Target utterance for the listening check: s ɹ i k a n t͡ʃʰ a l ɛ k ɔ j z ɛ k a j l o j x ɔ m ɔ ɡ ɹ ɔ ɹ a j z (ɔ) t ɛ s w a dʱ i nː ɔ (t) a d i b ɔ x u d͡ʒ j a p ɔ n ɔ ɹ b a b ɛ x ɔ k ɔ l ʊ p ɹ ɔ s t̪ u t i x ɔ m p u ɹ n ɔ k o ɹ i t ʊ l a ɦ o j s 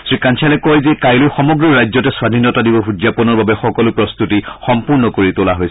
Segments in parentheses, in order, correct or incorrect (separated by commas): correct, correct